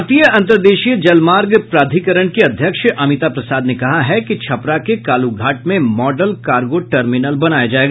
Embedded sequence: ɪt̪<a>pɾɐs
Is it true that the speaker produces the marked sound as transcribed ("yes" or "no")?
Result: yes